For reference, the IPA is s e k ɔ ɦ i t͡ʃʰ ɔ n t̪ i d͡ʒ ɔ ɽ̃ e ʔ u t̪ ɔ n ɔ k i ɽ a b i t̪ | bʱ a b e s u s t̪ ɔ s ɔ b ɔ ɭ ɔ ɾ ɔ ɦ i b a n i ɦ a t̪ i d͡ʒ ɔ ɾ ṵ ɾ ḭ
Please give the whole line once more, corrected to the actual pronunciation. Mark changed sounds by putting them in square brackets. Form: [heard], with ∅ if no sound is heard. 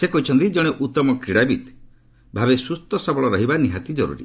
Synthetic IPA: s e k ɔ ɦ i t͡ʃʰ ɔ n t̪ i d͡ʒ ɔ ɽ̃ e ʔ u t̪ ɔ [m] ɔ k i ɽ a b i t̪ | bʱ a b e s u s t̪ ɔ s ɔ b ɔ ɭ ɔ ɾ ɔ ɦ i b a n i ɦ a t̪ i d͡ʒ ɔ ɾ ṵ ɾ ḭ